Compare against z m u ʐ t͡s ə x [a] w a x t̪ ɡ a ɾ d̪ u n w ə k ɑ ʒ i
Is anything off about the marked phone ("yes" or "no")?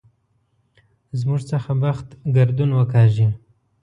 no